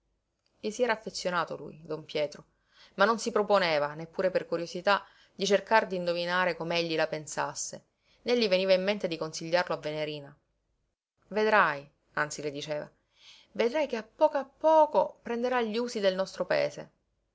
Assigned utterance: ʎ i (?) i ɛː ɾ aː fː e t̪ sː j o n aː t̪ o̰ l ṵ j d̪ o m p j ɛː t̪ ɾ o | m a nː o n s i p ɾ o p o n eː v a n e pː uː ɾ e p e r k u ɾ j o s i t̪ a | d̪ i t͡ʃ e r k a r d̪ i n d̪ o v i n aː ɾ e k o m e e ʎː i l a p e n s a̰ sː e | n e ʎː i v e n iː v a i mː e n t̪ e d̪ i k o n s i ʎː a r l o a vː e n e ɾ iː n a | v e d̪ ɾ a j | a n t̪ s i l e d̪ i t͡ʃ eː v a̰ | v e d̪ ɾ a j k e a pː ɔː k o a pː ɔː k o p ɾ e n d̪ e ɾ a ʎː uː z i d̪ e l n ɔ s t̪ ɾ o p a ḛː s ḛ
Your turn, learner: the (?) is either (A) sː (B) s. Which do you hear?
B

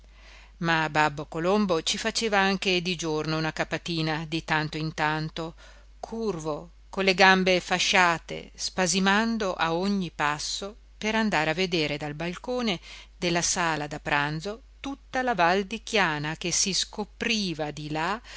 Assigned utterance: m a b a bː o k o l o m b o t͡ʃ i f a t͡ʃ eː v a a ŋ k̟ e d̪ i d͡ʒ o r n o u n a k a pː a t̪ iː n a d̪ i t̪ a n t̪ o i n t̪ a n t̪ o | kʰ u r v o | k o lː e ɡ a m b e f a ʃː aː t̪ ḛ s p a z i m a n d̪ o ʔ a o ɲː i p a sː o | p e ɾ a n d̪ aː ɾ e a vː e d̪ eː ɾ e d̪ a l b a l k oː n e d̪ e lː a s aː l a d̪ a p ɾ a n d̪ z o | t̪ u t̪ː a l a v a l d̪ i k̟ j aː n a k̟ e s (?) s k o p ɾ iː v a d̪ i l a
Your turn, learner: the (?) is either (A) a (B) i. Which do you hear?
B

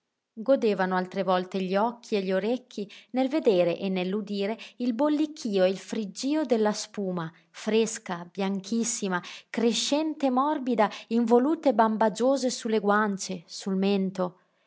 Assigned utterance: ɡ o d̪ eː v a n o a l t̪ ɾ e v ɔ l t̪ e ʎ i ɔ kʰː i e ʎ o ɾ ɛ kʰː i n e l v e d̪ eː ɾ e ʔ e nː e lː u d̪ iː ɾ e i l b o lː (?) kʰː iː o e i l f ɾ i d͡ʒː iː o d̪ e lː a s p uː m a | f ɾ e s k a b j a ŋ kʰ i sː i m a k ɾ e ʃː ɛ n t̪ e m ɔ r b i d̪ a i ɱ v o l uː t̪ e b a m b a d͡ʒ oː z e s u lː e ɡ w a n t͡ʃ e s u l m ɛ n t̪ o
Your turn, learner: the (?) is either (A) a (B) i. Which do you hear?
B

